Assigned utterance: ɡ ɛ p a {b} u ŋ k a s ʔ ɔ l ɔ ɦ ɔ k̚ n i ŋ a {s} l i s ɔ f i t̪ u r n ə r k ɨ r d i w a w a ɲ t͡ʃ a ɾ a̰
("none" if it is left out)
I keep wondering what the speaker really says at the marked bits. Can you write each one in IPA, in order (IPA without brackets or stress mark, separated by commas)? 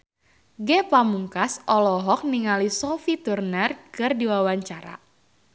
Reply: m, none